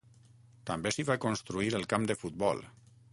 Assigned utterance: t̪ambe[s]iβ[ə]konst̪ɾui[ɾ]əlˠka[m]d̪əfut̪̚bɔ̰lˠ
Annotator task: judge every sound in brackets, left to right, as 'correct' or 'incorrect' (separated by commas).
correct, incorrect, correct, correct